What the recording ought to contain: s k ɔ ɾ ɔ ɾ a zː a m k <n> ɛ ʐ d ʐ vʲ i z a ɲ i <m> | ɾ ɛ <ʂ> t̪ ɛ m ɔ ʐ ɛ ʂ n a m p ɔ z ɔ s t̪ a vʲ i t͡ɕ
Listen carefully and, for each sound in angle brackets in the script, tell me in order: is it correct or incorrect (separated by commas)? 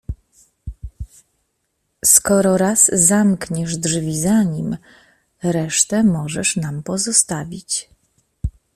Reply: incorrect, correct, correct